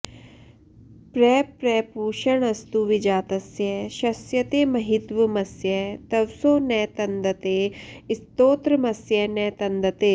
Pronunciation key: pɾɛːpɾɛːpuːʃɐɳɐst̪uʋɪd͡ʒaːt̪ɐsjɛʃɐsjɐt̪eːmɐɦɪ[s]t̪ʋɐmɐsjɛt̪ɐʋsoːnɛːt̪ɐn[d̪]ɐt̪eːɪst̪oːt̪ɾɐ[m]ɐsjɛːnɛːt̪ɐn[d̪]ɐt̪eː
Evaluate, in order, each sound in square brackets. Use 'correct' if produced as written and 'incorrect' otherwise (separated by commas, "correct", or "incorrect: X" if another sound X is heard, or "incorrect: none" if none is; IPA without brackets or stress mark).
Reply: incorrect: none, correct, correct, correct